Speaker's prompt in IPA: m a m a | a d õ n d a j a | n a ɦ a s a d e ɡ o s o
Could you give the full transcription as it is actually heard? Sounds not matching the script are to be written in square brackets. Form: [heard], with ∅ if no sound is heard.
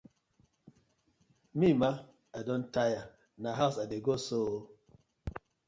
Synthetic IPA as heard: m [i] m a | a d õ n [t] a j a | n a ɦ a s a d e ɡ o s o